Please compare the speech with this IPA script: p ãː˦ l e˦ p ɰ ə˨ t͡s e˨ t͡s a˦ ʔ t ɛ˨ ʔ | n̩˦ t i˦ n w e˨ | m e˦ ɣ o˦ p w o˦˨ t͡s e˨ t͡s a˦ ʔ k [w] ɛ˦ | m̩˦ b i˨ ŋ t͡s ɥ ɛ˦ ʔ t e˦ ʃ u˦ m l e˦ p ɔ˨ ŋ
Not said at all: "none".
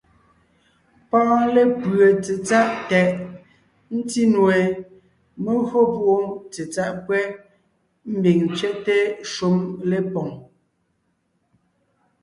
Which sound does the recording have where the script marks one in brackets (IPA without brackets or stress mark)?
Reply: w